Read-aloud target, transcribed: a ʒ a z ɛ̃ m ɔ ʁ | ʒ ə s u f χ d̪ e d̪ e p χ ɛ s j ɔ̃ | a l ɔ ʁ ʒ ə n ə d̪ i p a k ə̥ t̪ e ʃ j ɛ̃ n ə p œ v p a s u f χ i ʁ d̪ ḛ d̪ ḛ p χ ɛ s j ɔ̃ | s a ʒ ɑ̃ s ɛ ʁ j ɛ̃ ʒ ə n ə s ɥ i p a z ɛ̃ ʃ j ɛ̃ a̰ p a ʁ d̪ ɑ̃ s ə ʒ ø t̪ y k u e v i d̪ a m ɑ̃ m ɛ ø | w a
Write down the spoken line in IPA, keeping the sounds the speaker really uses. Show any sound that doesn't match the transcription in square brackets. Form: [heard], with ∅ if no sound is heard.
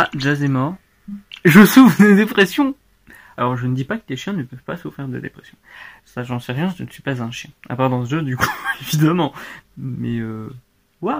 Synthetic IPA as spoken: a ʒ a z [ɛ] m ɔ ʁ | ʒ ə s u f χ d̪ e d̪ e p χ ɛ s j ɔ̃ | a l ɔ ʁ ʒ ə n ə d̪ i p a k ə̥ t̪ e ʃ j ɛ̃ n ə p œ v p a s u f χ i ʁ d̪ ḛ d̪ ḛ p χ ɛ s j ɔ̃ | s a ʒ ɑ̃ s ɛ ʁ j ɛ̃ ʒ ə n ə s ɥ i p a z ɛ̃ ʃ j ɛ̃ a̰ p a ʁ d̪ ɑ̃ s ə ʒ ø [d̪] y k u e v i d̪ a m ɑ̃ m ɛ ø | w a